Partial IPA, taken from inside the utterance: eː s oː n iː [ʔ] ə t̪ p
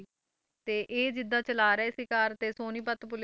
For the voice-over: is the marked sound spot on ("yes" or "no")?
no